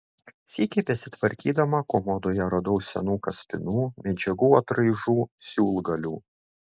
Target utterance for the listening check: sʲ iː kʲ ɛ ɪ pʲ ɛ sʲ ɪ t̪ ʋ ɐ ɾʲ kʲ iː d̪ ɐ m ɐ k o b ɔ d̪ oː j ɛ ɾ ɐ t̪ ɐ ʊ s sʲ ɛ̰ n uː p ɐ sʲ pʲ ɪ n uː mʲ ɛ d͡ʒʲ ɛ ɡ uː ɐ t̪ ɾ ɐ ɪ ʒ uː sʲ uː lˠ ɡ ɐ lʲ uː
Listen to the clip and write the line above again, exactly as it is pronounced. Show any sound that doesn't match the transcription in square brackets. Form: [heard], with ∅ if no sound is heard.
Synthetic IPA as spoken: sʲ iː kʲ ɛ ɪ pʲ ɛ sʲ ɪ t̪ ʋ ɐ ɾʲ kʲ iː d̪ ɐ m ɐ k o [m] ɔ d̪ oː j ɛ ɾ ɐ [d̪] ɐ ʊ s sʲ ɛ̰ n uː [k] ɐ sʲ pʲ ɪ n uː mʲ ɛ d͡ʒʲ ɛ ɡ uː ɐ t̪ ɾ ɐ ɪ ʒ uː sʲ uː lˠ ɡ ɐ lʲ uː